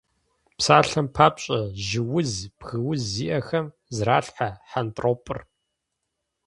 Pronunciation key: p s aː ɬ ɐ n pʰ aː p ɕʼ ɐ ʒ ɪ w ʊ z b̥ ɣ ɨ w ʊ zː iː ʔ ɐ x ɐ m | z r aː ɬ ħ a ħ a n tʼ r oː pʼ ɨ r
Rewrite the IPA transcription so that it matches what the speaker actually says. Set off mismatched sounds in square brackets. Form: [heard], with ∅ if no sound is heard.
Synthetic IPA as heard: p s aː ɬ ɐ [m] pʰ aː p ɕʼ ɐ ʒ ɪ w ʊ z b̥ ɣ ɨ w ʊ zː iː ʔ ɐ x ɐ m | z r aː ɬ ħ a ħ a n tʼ r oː pʼ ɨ r